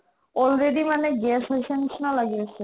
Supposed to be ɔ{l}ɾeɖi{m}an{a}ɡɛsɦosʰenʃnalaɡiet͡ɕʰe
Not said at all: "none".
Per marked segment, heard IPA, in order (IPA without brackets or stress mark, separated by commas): l, m, e